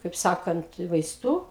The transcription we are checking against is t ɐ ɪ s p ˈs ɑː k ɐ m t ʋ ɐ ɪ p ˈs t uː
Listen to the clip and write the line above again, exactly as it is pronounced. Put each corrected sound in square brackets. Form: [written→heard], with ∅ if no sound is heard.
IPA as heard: [t→k] ɐ ɪ [s→∅] p ˈs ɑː k ɐ [m→n] t ʋ ɐ ɪ [p→∅] ˈs t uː